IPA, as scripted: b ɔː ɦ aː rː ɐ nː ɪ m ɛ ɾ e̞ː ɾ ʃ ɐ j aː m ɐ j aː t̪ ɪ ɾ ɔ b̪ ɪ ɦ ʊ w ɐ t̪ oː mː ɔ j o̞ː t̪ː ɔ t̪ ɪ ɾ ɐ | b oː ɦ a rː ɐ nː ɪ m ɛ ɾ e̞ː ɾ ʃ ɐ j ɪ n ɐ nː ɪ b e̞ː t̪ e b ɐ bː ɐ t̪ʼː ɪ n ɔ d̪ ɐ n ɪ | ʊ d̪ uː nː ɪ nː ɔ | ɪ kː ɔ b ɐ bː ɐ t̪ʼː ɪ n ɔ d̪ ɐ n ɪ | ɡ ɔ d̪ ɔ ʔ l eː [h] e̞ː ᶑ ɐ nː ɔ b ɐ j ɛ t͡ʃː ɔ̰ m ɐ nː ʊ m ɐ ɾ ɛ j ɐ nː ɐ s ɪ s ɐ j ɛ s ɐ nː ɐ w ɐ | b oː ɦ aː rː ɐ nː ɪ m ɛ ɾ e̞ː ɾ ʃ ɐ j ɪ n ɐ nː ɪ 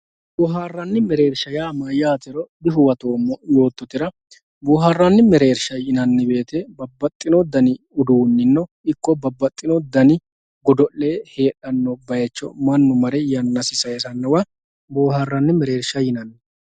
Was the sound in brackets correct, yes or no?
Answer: yes